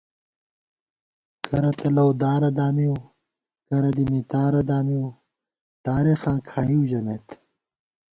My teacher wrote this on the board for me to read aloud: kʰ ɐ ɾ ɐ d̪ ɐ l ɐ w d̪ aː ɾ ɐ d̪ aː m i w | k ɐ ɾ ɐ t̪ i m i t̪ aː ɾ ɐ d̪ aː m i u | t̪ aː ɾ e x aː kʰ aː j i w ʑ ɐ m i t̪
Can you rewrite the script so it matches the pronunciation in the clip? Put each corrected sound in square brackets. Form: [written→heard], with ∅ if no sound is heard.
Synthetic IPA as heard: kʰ ɐ ɾ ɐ [d̪→t̪] ɐ l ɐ w d̪ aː ɾ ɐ d̪ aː m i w | k ɐ ɾ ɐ [t̪→d̪] i m i t̪ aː ɾ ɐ d̪ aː m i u | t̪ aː ɾ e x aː kʰ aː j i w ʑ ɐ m [i→e] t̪